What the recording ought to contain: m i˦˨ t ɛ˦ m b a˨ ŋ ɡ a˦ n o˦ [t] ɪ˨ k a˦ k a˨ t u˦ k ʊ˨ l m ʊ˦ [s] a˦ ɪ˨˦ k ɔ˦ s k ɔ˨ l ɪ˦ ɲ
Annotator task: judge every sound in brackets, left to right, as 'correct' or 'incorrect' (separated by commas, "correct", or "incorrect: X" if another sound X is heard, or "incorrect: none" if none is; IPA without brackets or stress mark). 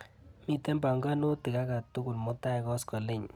correct, incorrect: t